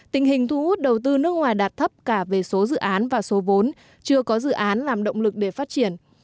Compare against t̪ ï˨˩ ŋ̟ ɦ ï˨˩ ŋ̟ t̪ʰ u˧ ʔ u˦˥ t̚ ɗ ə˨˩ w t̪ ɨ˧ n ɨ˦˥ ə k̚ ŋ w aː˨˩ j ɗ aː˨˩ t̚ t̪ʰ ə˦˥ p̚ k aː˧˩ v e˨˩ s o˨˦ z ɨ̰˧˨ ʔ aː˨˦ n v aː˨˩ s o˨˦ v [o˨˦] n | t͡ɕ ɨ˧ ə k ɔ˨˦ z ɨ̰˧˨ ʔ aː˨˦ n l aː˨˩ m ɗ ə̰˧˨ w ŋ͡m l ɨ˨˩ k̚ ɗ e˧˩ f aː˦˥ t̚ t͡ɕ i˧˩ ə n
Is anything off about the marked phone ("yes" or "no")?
no